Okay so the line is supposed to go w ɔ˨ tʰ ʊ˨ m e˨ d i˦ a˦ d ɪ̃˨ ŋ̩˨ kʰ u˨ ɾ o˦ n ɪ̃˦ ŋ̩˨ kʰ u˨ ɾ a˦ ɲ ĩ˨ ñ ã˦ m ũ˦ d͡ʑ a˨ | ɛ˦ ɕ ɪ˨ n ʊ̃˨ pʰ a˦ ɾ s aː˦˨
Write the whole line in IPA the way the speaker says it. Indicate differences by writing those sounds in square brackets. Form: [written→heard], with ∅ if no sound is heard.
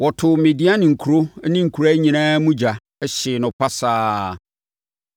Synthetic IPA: w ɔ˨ tʰ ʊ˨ m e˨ d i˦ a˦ [d→n] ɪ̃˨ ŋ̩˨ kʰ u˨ ɾ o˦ n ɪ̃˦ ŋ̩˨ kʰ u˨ ɾ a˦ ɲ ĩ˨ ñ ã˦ m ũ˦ d͡ʑ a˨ | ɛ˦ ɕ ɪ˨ n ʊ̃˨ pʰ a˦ [ɾ→∅] s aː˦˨

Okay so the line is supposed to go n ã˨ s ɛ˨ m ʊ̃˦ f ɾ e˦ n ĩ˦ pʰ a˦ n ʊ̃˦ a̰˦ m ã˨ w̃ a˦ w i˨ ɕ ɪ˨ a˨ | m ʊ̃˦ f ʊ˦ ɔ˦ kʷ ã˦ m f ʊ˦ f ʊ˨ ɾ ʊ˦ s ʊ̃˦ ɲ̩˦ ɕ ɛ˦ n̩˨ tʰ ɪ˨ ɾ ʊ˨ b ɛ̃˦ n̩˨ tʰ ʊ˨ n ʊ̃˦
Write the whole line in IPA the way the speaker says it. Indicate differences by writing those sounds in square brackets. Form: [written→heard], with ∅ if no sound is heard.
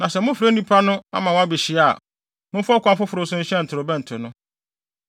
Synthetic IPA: n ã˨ s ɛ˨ m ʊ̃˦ f ɾ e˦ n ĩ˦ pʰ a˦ n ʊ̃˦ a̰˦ m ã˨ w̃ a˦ [w→b] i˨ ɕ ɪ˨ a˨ | m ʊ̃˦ f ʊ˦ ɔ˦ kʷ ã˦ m f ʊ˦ f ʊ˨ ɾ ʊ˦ s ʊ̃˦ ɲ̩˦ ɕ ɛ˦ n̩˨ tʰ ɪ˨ ɾ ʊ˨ b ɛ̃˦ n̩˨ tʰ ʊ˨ n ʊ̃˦

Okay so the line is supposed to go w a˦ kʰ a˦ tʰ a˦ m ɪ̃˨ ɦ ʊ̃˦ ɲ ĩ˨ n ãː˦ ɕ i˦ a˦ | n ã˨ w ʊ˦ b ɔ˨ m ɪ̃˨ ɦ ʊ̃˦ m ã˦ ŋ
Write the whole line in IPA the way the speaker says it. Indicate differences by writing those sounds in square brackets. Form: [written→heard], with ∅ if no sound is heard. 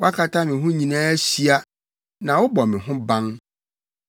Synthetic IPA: w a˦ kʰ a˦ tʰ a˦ m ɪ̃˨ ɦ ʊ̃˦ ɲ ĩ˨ n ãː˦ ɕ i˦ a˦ | n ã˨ w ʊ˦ b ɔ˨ m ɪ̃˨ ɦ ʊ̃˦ [m→b] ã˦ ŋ

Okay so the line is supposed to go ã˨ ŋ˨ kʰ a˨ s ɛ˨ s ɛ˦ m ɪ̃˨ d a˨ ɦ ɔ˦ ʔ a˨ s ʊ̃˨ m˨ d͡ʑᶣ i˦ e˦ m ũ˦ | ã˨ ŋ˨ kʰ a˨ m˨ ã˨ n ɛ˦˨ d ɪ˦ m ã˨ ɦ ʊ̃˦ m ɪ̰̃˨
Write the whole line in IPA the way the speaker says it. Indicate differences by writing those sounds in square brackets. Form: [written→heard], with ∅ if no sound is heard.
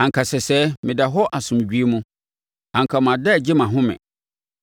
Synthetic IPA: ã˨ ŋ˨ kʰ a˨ s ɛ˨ s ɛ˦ m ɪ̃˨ d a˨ ɦ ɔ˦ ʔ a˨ s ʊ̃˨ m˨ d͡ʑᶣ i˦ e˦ m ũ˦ | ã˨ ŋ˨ kʰ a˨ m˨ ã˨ [n→d] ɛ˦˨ [d→d͡ʑ] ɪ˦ m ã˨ ɦ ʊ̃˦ m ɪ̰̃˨

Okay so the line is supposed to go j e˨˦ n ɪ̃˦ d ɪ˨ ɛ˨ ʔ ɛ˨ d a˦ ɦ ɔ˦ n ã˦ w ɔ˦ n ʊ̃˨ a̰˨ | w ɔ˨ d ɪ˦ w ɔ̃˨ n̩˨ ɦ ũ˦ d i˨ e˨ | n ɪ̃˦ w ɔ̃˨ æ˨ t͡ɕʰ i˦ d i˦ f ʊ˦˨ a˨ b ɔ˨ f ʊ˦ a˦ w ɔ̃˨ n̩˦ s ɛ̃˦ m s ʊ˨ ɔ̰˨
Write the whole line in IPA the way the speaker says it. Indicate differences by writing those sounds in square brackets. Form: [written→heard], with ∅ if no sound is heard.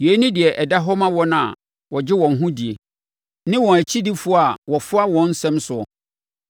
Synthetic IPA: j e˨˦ n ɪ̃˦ d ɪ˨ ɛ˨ ʔ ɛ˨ d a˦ ɦ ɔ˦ [n→m] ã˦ w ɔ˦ n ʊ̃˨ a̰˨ | w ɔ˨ [d→d͡ʑ] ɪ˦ w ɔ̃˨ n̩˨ ɦ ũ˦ d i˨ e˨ | n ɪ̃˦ w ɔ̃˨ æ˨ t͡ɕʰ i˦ d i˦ f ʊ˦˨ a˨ [b→w] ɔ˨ f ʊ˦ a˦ w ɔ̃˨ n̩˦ s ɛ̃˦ m s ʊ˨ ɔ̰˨

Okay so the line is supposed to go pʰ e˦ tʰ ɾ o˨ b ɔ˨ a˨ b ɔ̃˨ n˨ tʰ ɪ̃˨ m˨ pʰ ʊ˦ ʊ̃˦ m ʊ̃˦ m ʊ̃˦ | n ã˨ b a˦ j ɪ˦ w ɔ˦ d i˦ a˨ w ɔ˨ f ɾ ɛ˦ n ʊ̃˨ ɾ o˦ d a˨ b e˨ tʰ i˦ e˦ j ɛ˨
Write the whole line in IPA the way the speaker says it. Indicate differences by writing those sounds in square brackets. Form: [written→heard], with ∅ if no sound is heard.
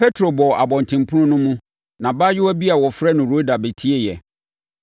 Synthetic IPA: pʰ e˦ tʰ ɾ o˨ b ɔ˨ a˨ b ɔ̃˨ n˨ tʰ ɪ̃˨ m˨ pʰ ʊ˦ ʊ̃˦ [m→n] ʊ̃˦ m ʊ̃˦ | n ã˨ b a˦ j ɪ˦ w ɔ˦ [d→b] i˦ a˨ w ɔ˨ f ɾ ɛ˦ n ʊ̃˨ ɾ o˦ d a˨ b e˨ tʰ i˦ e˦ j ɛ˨

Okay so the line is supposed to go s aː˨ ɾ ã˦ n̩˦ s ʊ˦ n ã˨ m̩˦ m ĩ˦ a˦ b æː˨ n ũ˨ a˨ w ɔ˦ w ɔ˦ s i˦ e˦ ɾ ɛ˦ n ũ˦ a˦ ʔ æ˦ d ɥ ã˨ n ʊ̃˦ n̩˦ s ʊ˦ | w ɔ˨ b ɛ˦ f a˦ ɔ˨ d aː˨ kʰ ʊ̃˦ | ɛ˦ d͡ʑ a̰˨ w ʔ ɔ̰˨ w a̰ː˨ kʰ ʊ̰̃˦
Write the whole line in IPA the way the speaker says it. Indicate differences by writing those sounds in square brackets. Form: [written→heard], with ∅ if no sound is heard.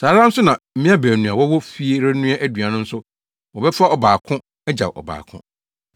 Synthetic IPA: s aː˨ ɾ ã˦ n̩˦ s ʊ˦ n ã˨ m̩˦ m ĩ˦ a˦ b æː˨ n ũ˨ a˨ w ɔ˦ w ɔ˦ [s→f] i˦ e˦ ɾ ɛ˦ n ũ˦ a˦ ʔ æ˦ d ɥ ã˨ n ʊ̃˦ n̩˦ s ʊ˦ | w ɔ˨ b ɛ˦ f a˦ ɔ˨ [d→b] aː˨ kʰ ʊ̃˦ | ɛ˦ d͡ʑ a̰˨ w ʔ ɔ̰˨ [w→b] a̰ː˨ kʰ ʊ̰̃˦

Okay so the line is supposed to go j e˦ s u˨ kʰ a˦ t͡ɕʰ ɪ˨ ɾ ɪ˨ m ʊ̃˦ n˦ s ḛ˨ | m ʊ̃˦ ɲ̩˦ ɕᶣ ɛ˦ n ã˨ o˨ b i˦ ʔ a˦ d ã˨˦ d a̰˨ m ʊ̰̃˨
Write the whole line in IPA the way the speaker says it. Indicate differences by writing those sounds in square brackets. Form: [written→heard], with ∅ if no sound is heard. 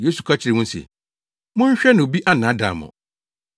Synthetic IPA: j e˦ s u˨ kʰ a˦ t͡ɕʰ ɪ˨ ɾ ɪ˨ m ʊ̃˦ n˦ s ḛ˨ | m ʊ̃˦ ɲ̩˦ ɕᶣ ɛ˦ n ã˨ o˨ b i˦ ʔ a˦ [d→n] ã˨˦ d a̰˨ m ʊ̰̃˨

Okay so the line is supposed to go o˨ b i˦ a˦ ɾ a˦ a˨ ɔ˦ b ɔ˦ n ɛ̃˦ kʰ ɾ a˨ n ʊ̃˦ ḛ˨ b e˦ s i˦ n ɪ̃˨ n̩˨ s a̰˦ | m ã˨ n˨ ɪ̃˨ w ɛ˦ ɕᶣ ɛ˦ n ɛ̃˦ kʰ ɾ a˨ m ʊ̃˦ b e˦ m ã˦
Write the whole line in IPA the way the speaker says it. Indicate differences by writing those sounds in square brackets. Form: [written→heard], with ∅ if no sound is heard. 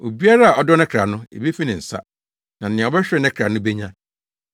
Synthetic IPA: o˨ b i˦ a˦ ɾ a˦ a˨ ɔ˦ [b→d] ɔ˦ n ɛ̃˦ kʰ ɾ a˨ n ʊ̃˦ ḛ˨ b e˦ [s→f] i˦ n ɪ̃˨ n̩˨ s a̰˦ | [m→n] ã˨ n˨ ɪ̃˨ [w→b] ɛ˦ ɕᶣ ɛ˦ n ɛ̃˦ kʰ ɾ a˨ [m→n] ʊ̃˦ b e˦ [m→ɲ] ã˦

